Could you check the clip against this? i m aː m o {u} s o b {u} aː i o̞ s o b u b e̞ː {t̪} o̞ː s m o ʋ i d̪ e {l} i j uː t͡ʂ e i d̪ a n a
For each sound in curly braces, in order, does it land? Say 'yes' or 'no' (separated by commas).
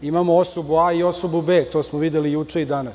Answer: no, yes, yes, yes